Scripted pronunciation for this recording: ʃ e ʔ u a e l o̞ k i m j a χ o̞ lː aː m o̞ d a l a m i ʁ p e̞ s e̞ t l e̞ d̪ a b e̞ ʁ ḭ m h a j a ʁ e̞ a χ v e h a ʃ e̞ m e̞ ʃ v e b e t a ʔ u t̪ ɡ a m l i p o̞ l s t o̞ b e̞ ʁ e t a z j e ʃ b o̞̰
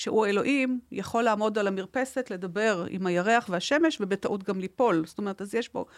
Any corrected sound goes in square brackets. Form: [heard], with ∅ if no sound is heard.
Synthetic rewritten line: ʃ e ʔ u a e l o̞ [ʔ] i m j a χ o̞ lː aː m o̞ d a l a m i ʁ p e̞ s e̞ t l e̞ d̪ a b e̞ ʁ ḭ m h a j a ʁ e̞ a χ v e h a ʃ e̞ m e̞ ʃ v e b e t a ʔ u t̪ ɡ a m l i p o̞ l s t o̞ [m] e̞ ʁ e t a z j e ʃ b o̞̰